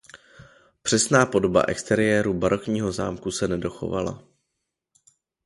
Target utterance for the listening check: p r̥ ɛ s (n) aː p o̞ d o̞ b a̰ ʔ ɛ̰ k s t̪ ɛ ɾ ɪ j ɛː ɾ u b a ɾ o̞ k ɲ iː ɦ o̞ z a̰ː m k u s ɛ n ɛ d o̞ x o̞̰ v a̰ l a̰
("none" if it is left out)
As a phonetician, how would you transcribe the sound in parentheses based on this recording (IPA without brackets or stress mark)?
n